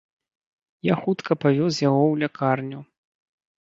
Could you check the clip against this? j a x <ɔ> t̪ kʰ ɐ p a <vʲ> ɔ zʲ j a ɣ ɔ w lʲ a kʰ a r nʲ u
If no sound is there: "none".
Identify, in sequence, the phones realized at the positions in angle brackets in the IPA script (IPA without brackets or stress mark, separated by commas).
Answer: u, vʲ